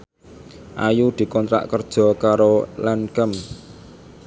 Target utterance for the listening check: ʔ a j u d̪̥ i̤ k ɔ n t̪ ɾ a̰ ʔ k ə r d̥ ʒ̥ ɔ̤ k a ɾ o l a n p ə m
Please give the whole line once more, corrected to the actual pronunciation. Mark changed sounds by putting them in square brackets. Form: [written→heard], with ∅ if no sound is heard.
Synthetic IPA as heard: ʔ a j u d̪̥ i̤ k ɔ n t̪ ɾ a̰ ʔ k ə r d̥ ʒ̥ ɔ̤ k a ɾ o l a n [p→k] ə m

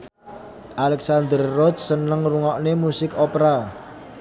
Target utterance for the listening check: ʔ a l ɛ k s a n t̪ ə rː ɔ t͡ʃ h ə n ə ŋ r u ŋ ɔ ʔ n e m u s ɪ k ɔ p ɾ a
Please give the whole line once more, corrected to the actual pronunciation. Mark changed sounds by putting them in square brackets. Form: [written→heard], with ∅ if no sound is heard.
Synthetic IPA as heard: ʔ a l ɛ k s a n [t̪→d̪] ə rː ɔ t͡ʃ [h→s] ə n ə ŋ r u ŋ ɔ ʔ n e m u s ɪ k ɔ p ɾ a

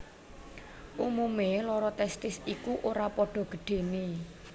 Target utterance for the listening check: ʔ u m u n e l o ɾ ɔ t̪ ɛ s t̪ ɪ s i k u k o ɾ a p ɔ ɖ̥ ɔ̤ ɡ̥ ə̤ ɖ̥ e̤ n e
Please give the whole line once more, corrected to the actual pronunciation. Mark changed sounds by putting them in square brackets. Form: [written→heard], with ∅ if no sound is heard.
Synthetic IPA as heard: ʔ u m u [n→m] e l [o→ɔ] ɾ ɔ t̪ ɛ s t̪ ɪ s i k u [k→ʔ] o ɾ a p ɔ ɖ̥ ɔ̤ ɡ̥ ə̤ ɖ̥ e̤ n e

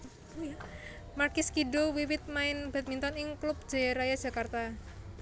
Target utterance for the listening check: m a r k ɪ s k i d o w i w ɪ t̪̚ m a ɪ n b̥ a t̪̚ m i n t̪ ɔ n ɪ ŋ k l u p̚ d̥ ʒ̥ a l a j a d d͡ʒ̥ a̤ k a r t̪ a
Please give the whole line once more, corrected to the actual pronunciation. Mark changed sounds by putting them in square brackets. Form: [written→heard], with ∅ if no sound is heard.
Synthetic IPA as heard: m a r k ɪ s k i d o w i w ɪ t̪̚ m a ɪ n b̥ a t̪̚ m i n t̪ ɔ n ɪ ŋ k l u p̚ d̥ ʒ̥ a [l→ɾ] a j a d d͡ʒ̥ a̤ k a r t̪ a

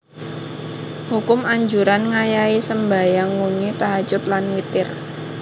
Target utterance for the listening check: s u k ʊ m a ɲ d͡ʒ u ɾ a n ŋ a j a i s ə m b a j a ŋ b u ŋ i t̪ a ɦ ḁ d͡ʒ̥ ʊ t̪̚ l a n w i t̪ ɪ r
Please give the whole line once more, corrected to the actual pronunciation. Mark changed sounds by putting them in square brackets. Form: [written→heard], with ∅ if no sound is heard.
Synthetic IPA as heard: [s→h] u k ʊ m a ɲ d͡ʒ u ɾ a n ŋ a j a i s ə m b a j a ŋ [b→w] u ŋ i t̪ a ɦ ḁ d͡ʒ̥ ʊ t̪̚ l a n w i t̪ ɪ r

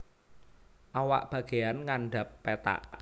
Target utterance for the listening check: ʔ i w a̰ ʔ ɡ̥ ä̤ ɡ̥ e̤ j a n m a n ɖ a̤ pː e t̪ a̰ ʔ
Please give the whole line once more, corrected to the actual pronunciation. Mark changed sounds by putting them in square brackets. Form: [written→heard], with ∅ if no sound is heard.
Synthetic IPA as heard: ʔ [i→a] w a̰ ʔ [ɡ̥→b̥] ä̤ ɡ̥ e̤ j a n [m→ŋ] a n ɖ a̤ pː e t̪ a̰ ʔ

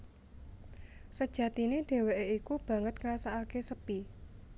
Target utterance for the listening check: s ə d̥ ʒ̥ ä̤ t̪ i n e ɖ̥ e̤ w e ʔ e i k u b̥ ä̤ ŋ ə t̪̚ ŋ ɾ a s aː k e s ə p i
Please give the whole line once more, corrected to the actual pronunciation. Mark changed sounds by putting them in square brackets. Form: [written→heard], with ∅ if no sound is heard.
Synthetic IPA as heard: s ə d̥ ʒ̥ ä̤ t̪ i n e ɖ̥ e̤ w e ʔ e i k u b̥ ä̤ ŋ ə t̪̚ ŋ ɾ a s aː k e s ə p i

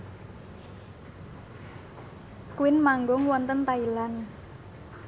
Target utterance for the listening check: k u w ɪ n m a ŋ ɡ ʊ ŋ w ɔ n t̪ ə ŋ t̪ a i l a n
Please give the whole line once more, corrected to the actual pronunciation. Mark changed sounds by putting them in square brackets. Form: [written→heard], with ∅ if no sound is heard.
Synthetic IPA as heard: k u w ɪ n m a ŋ ɡ ʊ ŋ w ɔ n t̪ ə [ŋ→n] t̪ a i l a n

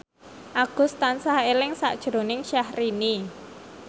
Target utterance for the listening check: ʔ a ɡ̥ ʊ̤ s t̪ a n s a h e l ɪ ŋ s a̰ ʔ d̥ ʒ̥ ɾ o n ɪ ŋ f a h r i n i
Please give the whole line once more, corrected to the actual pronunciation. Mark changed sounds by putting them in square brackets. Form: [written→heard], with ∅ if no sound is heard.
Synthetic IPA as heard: ʔ a ɡ̥ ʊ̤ s t̪ a n s a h e l ɪ ŋ s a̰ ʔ d̥ ʒ̥ ɾ o n ɪ ŋ [f→ʃ] a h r i n i

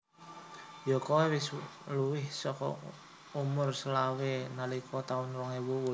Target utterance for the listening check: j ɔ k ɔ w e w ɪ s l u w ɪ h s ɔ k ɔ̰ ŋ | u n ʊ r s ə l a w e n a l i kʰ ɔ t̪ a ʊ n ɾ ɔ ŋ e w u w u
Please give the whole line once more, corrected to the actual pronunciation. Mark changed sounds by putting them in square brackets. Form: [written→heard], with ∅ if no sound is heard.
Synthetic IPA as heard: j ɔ k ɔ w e w ɪ s l u w ɪ h s ɔ k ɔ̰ [ŋ→∅] | u [n→m] ʊ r s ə l a w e n a l i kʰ ɔ t̪ a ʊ n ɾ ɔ ŋ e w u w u

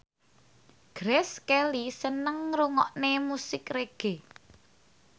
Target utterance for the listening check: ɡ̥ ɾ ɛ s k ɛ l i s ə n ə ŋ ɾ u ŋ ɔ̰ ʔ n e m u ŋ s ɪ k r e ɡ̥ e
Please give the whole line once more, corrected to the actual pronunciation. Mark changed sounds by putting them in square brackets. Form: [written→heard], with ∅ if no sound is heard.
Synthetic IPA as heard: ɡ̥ ɾ ɛ s k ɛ l i s ə n ə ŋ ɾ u ŋ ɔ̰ ʔ n e m u [ŋ→∅] s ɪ k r e ɡ̥ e

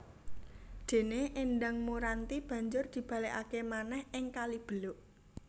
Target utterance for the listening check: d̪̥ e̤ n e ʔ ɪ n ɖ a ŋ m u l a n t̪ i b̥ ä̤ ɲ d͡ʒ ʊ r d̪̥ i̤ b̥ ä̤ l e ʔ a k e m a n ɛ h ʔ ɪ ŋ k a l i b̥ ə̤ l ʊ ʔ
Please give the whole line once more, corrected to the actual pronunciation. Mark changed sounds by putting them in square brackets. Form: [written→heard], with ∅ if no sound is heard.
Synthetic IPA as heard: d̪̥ e̤ n e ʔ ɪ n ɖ a ŋ m u [l→ɾ] a n t̪ i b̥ ä̤ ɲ d͡ʒ ʊ r d̪̥ i̤ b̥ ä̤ l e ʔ a k e m a n ɛ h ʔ ɪ ŋ k a l i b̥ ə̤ l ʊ ʔ

